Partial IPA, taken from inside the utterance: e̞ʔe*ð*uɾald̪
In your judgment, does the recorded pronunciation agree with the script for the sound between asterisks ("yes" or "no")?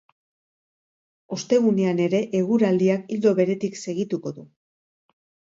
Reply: no